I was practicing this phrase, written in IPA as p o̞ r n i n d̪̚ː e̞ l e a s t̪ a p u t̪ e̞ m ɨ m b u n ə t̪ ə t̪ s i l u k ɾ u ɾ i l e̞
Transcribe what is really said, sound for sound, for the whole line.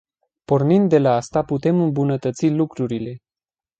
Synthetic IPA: p o̞ r n i n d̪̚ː e̞ l a a s t̪ a p u t̪ e̞ m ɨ m b u n ə t̪ ə t̪ s i l u k ɾ u ɾ i l e̞